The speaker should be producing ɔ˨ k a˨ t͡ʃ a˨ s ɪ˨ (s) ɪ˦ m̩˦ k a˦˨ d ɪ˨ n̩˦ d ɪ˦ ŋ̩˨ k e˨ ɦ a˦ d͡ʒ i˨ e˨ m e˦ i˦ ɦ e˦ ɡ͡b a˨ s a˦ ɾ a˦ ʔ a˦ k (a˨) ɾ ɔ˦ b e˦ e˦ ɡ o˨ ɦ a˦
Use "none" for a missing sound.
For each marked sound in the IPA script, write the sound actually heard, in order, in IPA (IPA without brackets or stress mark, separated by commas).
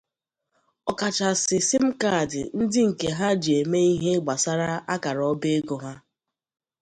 s, a˨